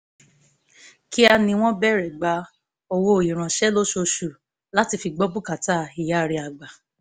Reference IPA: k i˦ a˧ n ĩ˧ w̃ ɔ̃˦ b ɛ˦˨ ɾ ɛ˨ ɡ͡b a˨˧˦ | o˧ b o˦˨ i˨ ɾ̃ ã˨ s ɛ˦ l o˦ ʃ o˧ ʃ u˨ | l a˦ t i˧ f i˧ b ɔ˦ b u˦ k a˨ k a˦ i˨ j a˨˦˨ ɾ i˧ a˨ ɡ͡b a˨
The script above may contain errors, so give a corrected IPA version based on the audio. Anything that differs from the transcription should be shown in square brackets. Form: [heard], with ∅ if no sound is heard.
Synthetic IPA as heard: k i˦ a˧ n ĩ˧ w̃ ɔ̃˦ b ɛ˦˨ ɾ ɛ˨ ɡ͡b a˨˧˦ | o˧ [w] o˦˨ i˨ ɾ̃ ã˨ [ʃ] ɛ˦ l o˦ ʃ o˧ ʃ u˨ | l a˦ t i˧ f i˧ [ɡ͡b] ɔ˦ b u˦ k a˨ [t] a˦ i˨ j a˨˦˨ ɾ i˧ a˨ ɡ͡b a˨